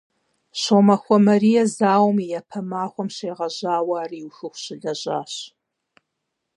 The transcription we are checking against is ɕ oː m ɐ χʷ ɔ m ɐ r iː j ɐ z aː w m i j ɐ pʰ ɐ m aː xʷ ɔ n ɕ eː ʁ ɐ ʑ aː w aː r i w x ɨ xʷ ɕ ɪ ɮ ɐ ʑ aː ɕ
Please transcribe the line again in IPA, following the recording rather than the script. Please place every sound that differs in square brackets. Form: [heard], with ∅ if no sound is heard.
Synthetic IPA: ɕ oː m ɐ [xʷ] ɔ m ɐ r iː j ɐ z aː w m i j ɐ pʰ ɐ m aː xʷ ɔ [m] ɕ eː ʁ ɐ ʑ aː w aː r i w x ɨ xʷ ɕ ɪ ɮ ɐ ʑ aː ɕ